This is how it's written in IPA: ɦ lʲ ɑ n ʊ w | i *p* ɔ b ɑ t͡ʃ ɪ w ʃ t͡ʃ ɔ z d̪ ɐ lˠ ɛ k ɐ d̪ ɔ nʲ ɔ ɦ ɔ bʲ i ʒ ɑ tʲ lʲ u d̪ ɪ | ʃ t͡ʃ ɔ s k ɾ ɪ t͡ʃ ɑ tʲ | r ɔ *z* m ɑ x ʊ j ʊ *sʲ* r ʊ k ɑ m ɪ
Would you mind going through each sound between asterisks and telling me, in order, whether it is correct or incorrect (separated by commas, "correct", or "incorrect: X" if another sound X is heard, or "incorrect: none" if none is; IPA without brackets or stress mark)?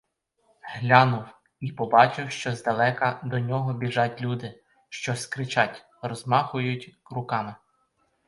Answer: correct, correct, incorrect: tʲ